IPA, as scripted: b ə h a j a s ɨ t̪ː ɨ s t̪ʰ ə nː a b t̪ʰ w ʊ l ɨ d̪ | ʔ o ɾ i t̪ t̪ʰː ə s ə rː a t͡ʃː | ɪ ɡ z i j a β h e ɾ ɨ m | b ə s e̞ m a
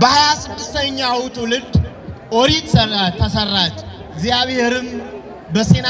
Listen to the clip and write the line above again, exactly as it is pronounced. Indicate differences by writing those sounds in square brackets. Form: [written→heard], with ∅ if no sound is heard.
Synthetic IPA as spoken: b ə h a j a s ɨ [t̪ː→d̪ː] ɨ s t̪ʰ ə [nː→ɲː] a [b→w] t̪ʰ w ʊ l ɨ d̪ | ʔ o ɾ i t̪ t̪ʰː ə s ə rː a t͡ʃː | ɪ ɡ z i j a β h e ɾ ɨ m | b ə s e̞ [m→n] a